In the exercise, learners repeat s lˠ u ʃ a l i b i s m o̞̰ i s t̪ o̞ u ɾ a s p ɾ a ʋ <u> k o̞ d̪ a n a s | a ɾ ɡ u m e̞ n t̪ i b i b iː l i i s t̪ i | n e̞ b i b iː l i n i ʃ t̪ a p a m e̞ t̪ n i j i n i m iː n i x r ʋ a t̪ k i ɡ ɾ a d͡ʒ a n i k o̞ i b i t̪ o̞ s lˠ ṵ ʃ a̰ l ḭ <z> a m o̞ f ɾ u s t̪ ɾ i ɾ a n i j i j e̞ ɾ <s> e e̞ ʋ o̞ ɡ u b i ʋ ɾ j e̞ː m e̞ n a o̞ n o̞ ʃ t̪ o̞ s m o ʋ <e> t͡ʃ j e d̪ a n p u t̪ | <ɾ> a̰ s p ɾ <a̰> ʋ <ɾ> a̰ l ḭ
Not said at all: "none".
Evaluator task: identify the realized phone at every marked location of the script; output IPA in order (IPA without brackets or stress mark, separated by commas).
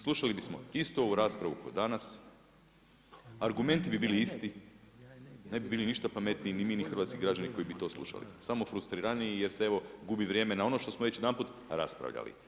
u, s, s, e, ɾ, a̰, ʎ